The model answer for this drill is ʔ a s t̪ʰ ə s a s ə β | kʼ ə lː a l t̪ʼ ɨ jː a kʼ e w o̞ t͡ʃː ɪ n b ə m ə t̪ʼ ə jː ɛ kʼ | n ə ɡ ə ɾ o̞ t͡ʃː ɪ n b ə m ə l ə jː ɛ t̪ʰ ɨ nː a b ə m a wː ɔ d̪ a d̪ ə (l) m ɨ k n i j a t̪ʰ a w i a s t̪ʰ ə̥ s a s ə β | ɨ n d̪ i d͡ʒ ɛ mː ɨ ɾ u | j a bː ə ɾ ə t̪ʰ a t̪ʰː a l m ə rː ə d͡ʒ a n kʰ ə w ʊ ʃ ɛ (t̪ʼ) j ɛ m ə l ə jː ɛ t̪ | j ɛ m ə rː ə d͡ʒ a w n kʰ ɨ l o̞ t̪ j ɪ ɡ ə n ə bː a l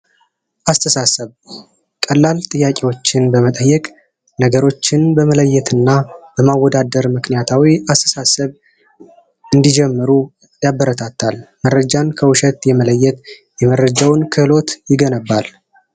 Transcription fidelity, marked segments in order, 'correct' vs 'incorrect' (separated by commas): incorrect, incorrect